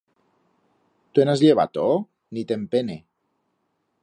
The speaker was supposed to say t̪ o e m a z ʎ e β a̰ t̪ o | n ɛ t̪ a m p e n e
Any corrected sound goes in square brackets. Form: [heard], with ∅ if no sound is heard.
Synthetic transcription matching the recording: t̪ [u] e [n] a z ʎ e β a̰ t̪ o | n [i] t̪ [e] m p e n e